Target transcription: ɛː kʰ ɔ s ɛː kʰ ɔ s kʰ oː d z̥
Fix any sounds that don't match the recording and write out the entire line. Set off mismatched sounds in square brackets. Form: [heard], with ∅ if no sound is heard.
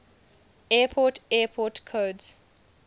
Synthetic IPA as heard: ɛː [pʰ] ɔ [t] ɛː [pʰ] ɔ [t] kʰ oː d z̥